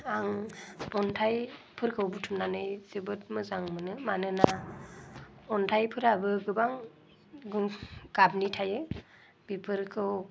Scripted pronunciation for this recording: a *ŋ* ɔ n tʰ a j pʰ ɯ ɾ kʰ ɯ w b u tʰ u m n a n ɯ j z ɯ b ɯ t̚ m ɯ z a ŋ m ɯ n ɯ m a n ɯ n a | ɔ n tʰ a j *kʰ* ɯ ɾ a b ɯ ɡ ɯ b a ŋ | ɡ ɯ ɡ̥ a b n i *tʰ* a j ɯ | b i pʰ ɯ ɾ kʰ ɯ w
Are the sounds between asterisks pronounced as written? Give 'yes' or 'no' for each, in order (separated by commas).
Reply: yes, no, yes